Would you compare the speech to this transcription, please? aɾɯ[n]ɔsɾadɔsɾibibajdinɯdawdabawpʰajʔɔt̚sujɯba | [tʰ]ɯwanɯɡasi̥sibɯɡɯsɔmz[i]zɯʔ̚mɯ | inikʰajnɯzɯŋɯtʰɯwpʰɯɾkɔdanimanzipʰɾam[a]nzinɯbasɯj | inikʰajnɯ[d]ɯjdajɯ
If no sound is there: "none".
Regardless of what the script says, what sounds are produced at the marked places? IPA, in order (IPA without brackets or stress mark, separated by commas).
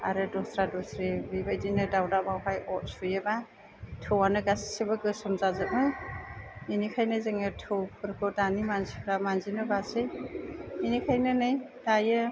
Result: d, tʰ, a, a, n